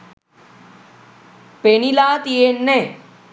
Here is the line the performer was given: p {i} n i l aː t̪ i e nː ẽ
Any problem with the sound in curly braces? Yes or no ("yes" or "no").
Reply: yes